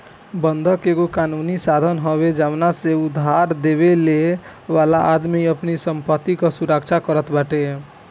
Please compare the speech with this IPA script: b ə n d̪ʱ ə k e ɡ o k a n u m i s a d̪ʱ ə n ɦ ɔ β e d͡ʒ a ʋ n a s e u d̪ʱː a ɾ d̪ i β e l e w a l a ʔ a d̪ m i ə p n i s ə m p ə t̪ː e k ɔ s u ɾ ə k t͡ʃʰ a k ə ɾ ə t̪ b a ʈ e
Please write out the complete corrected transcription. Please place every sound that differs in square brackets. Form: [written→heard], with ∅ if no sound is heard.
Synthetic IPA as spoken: b ə n d̪ʱ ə k e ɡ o k a n u [m→n] i s a d̪ʱ ə n ɦ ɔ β e d͡ʒ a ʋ n a s e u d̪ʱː a ɾ d̪ [i→e] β e l e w a l a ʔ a d̪ m i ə p n i s ə m p ə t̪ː [e→i] k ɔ s u ɾ ə k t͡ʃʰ a k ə ɾ ə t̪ b a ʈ e